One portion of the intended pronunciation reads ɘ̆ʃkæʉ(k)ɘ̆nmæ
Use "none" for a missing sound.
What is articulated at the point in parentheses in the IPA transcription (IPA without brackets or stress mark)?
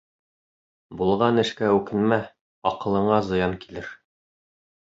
k